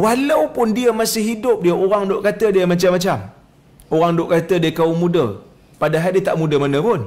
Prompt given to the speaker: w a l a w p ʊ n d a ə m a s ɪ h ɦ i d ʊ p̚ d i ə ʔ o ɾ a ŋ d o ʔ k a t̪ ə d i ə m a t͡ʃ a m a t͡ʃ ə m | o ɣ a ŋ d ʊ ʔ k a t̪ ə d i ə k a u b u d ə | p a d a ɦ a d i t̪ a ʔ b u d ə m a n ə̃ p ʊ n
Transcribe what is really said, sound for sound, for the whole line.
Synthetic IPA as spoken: w a l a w p ʊ n d i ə m a s ɪ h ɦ i d ʊ p̚ d i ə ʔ o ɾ a ŋ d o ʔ k a t̪ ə d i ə m a t͡ʃ a m a t͡ʃ a m | o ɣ a ŋ d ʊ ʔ k a t̪ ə d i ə k a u m u d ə | p a d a ɦ a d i t̪ a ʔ m u d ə m a n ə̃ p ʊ n